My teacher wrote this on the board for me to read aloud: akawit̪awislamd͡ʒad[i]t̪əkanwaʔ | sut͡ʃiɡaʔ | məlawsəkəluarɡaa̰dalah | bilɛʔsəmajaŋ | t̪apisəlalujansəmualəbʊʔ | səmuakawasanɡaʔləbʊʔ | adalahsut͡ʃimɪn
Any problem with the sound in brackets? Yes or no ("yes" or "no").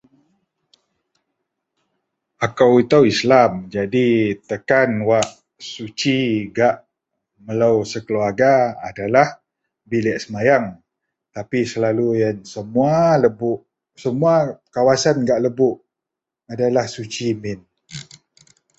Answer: no